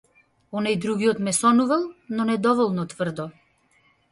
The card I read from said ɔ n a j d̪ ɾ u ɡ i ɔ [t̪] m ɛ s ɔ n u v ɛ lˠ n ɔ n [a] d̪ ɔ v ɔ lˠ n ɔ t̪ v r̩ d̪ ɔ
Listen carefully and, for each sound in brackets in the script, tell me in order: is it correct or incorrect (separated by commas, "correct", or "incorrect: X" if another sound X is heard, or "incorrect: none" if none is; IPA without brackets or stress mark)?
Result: correct, incorrect: ɛ